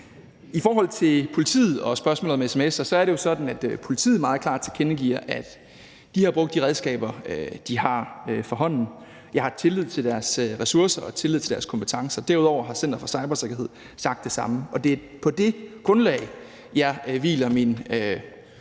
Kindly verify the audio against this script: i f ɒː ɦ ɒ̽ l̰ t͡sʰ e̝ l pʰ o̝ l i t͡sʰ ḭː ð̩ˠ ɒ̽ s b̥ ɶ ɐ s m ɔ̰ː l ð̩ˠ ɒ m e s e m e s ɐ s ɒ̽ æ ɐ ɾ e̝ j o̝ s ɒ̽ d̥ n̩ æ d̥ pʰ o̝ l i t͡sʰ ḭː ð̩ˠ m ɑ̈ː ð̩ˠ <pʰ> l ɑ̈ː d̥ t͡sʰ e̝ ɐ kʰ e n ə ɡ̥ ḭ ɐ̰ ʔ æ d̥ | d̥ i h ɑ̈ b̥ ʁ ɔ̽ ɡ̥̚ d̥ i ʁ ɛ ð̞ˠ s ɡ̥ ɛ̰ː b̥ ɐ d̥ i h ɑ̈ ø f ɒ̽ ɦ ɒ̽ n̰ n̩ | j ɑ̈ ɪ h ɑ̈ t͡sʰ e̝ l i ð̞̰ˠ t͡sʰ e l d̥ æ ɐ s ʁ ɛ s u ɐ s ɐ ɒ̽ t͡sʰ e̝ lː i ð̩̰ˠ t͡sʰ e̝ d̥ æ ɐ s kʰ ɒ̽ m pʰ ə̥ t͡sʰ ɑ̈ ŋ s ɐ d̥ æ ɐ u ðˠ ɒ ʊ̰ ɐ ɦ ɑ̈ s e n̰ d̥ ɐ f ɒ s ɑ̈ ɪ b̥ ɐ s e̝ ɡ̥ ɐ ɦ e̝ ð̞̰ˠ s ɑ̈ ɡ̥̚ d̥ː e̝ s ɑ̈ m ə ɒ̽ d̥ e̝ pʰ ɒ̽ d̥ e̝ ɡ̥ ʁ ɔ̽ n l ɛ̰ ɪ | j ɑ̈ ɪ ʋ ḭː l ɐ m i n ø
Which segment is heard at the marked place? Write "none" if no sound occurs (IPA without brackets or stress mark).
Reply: kʰ